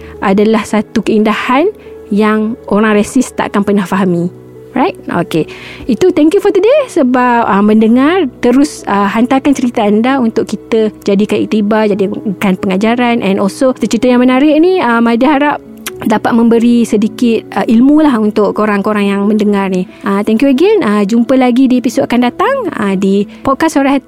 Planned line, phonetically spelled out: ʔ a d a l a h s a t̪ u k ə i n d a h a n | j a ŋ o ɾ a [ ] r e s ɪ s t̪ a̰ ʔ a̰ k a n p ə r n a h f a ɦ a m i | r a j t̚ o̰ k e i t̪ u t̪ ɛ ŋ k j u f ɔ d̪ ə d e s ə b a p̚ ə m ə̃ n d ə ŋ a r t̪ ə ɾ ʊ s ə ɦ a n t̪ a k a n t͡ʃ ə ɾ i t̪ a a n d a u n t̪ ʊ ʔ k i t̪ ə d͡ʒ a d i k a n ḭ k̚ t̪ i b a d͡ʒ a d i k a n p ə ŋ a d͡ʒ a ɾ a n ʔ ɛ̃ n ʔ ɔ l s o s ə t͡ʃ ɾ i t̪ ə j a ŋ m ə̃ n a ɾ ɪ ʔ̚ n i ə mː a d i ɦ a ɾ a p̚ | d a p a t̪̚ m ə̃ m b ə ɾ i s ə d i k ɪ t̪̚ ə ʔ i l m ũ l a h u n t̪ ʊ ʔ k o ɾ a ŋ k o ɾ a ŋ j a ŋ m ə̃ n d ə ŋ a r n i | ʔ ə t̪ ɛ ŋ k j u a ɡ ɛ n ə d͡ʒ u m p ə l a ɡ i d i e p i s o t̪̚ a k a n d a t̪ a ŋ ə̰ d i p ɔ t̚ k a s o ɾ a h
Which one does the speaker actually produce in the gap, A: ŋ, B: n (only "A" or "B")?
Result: A